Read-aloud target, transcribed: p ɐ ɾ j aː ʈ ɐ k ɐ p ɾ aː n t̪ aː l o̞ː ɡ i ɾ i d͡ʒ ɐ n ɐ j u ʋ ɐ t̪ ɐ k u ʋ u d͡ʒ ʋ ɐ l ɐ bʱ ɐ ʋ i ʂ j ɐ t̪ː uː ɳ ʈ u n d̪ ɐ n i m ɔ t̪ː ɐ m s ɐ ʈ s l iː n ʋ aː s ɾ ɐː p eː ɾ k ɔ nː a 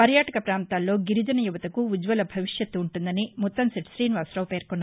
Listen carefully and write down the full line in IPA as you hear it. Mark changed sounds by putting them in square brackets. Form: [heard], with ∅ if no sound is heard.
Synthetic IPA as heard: p ɐ ɾ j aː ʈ ɐ k ɐ p ɾ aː n t̪ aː [lː] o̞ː ɡ i ɾ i d͡ʒ ɐ n ɐ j u ʋ ɐ t̪ ɐ k u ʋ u d͡ʒ ʋ ɐ l ɐ bʱ ɐ ʋ i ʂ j ɐ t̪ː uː ɳ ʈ u n d̪ ɐ n i m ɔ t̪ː ɐ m s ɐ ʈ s [ɾ] iː n ʋ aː s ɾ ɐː p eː ɾ k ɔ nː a